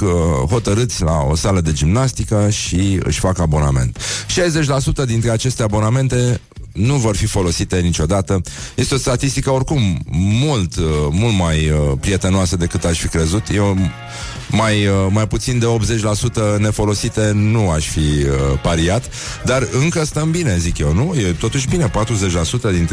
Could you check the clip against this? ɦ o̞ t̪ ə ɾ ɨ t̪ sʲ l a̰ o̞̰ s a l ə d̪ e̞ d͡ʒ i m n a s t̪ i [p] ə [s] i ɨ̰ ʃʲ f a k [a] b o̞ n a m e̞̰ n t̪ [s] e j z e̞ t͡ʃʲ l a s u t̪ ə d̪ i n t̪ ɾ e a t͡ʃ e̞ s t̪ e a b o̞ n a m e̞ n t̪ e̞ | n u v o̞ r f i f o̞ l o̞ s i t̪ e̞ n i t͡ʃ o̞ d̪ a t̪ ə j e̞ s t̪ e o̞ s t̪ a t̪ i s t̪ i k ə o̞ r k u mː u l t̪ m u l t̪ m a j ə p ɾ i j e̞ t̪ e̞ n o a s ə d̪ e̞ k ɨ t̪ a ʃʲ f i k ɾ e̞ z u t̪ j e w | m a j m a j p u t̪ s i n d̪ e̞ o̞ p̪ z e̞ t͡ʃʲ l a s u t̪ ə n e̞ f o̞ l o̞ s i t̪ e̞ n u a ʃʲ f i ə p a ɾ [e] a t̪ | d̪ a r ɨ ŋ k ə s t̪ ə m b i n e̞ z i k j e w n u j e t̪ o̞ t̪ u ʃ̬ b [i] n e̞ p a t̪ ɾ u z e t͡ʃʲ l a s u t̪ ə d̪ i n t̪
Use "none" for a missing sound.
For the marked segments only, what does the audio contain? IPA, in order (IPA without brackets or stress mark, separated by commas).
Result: k, ʃ, a, ʃ, i, i